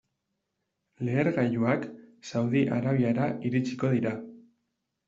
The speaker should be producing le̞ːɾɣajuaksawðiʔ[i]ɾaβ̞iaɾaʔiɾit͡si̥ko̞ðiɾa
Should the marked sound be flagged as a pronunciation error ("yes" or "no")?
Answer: yes